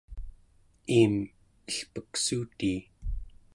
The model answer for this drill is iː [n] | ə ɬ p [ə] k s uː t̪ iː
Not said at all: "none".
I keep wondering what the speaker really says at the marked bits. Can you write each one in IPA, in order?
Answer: m, ə

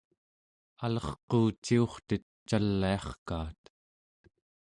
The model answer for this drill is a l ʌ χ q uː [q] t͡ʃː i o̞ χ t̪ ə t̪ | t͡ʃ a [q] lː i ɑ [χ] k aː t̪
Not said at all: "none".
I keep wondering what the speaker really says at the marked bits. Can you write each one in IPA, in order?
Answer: none, none, χ

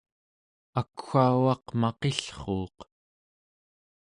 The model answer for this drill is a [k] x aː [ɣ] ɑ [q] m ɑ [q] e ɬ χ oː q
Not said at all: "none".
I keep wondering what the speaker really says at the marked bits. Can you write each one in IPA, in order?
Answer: k, w, q, q

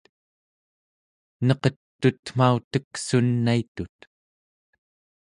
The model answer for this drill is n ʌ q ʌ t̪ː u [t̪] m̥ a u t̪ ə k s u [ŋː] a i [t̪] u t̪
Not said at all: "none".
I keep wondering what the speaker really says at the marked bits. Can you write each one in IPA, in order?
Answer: t̪, nː, t̪

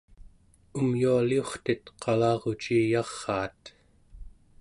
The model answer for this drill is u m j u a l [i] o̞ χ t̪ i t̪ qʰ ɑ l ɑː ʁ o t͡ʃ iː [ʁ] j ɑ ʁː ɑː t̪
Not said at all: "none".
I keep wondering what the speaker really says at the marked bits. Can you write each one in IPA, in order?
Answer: i, none

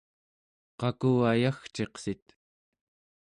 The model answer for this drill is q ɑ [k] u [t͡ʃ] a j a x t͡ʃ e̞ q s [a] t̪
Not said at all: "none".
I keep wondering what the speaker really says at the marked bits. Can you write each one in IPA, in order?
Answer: k, none, i

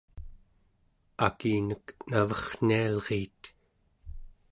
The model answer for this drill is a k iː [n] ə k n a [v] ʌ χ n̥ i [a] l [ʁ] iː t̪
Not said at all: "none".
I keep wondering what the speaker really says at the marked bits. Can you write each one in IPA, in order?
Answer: n, v, a, ʁ

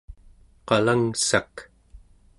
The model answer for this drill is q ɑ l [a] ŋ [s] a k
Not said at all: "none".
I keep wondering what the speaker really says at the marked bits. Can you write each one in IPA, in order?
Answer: a, s

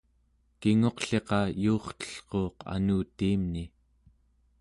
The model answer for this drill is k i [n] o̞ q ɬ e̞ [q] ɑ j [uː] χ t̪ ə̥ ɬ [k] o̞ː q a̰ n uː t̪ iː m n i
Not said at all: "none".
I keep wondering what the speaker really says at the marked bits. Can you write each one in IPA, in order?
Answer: ŋ, q, uː, q

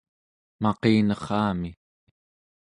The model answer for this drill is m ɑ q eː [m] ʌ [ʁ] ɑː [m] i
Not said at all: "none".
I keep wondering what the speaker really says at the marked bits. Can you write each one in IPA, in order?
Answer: n, χ, m

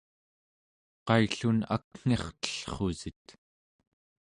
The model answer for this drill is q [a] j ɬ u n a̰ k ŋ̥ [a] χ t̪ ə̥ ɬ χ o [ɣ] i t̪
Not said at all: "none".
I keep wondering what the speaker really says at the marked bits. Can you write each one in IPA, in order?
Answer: ɑ, e, z

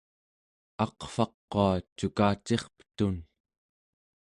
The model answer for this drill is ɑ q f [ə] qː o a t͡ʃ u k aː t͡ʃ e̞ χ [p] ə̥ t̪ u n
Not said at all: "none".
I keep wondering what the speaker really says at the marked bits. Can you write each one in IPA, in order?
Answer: ɑ, p

